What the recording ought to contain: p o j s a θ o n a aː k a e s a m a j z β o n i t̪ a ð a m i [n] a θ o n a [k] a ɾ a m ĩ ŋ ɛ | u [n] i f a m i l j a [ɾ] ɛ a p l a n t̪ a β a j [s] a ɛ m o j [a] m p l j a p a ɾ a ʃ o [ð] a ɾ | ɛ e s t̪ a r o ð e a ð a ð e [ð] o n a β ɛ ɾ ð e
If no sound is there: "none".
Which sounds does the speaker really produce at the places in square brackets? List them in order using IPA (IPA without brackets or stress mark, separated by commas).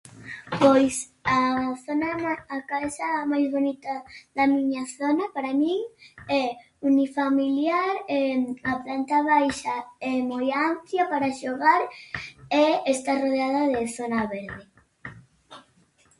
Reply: ɲ, p, n, ɾ, ʃ, a, ɣ, θ